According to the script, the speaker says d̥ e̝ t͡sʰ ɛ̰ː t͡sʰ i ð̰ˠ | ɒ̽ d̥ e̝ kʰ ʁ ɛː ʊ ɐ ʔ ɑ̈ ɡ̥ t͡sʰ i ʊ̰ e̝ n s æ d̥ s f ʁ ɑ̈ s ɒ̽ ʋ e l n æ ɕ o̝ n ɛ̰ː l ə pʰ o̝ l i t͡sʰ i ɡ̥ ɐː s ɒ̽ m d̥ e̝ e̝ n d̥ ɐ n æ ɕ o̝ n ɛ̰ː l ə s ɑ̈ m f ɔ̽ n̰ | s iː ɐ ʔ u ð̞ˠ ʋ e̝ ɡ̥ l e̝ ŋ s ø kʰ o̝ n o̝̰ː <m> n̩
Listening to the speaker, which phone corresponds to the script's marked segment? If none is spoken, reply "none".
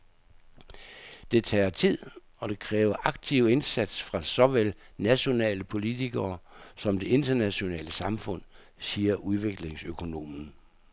m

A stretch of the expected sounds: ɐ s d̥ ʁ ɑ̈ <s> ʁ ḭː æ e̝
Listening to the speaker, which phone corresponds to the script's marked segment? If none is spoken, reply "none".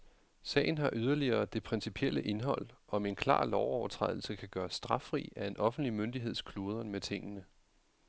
f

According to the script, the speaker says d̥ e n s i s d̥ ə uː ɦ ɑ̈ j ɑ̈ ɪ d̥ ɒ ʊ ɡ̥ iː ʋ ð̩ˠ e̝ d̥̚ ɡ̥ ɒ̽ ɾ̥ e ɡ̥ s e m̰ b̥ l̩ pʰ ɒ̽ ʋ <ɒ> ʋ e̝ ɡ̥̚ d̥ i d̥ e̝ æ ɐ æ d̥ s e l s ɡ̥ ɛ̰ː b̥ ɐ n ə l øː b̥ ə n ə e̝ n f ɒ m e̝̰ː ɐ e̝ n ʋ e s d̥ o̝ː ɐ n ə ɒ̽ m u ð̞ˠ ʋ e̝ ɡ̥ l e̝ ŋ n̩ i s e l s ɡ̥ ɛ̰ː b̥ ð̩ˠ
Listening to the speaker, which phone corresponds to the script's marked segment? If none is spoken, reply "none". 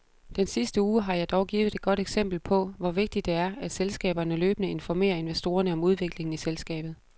ɒ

